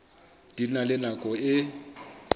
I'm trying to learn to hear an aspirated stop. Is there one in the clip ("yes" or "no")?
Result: no